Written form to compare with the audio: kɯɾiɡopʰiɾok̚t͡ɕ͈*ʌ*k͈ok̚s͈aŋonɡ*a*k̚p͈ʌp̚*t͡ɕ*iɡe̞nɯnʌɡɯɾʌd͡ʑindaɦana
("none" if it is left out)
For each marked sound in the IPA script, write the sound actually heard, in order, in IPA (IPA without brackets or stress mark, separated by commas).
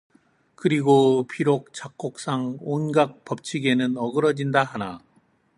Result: a, a, t͡ɕʰ